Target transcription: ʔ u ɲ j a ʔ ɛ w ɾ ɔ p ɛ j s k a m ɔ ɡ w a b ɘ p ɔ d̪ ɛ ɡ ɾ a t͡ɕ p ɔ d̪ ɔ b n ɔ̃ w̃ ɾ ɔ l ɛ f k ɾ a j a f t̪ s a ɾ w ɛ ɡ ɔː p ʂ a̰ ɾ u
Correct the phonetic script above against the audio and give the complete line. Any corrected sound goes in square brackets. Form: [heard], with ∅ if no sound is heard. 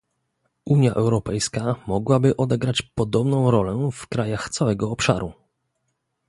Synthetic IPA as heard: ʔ u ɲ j a ʔ ɛ w ɾ ɔ p ɛ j s k a m ɔ ɡ w a b ɘ [ʔ] ɔ d̪ ɛ ɡ ɾ a t͡ɕ p ɔ d̪ ɔ b n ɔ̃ w̃ ɾ ɔ l ɛ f k ɾ a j a [x] t̪ s a [∅] w ɛ ɡ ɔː p ʂ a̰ ɾ u